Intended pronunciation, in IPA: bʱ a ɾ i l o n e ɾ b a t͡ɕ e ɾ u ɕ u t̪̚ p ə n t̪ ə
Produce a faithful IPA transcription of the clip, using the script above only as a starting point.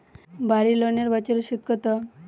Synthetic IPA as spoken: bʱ a ɾ i l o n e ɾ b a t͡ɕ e ɾ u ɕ u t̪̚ k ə t̪ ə

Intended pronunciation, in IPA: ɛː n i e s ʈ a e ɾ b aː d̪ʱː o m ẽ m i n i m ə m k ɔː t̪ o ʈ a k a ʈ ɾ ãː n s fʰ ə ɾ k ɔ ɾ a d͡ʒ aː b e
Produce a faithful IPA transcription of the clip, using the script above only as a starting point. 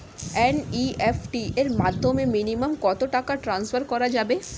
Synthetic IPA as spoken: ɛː n i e f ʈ i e ɾ m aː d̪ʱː o m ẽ m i n i m ə m k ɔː t̪ o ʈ a k a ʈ ɾ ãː n s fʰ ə ɾ k ɔ ɾ a d͡ʒ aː b e

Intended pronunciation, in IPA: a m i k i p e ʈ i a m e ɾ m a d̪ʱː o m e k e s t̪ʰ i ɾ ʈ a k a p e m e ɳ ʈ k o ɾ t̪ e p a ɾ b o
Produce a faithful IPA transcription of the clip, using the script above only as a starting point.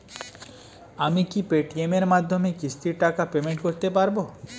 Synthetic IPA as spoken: a m i k i p e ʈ i e m e ɾ m a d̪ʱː o m e k i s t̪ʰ i ɾ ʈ a k a p e m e ɳ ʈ k o ɾ t̪ e p a ɾ b o

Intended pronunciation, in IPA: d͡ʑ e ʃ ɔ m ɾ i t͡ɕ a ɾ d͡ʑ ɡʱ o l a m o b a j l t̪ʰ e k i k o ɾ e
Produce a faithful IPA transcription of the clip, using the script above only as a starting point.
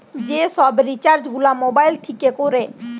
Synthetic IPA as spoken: d͡ʑ e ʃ ɔ b ɾ i t͡ɕ a ɾ d͡ʑ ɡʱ u l a m o b a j l t̪ʰ i k e k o ɾ e

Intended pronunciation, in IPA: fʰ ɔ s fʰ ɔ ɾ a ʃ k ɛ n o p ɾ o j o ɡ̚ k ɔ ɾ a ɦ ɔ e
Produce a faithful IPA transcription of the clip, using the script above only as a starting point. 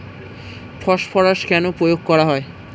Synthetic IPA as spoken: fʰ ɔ ʃ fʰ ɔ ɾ a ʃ k ɛ n o p ɾ o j o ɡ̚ k ɔ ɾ a ɦ ɔ e

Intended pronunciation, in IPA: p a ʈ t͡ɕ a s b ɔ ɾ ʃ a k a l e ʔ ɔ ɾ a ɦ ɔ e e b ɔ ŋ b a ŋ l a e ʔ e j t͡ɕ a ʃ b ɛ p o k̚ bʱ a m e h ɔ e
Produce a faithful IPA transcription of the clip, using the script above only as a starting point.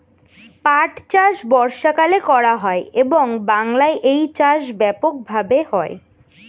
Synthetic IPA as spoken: p a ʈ t͡ɕ a ʃ b ɔ ɾ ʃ a k a l e k ɔ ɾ a ɦ ɔ e e b o ŋ b a ŋ l a e ʔ e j t͡ɕ a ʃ b ɛ p o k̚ bʱ a b e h ɔ e

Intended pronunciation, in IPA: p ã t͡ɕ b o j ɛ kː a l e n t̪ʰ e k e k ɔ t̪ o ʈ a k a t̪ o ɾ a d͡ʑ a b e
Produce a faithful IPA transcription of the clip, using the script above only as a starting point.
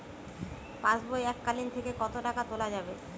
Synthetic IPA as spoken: p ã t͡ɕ b o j ɛ kː a l i n t̪ʰ e k e k ɔ t̪ o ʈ a k a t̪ o l a d͡ʑ a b e

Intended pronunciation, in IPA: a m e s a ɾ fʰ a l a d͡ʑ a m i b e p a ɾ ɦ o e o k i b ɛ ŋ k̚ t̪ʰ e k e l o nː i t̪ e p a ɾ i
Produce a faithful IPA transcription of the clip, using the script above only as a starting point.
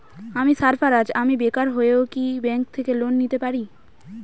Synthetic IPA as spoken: a m i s a ɾ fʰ a ɾ a d͡ʑ a m i b e k a ɾ ɦ o e o k i b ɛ ŋ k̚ t̪ʰ e k e l o nː i t̪ e p a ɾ i

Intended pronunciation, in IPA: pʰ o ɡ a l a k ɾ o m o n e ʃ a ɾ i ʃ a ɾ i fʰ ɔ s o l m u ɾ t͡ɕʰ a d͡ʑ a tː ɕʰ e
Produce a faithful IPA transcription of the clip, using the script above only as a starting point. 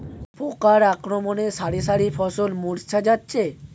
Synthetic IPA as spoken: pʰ o k a ɾ a k ɾ o m o n e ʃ a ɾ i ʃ a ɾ i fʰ ɔ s o l m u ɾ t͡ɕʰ a d͡ʑ a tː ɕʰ e

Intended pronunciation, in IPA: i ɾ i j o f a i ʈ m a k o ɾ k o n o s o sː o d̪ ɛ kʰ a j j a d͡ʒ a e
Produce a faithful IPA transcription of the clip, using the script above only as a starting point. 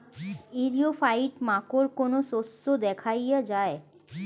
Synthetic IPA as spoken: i ɾ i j o f a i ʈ m a k o ɾ k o n o s o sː o d̪ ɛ kʰ a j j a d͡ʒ a e

